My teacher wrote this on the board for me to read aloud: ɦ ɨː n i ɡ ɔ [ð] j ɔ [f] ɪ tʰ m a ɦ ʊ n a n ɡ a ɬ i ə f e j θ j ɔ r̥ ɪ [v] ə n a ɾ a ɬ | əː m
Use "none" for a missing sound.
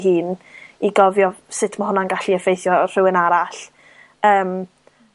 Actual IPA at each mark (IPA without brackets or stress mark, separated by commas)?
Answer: v, s, w